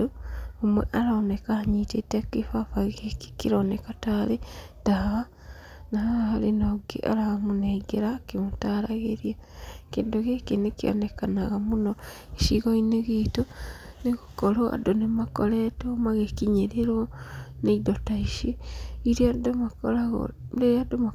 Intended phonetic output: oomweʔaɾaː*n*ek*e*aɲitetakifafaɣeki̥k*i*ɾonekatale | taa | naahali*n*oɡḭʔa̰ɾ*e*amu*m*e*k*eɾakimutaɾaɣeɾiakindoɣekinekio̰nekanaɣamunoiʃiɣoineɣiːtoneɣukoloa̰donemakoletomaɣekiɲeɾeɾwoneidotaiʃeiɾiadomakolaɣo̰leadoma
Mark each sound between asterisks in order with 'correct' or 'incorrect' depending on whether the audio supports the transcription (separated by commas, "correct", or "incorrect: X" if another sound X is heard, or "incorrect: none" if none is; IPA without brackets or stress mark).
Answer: correct, incorrect: a, correct, correct, incorrect: a, incorrect: n, incorrect: ɡ